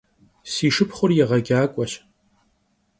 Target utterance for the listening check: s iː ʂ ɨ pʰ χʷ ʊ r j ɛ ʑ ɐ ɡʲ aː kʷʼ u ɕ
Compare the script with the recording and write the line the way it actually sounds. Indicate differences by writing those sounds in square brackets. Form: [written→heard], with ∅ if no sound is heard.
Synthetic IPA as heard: s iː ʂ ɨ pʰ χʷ ʊ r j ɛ [ʑ→ʁ] ɐ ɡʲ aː kʷʼ [u→ɔ] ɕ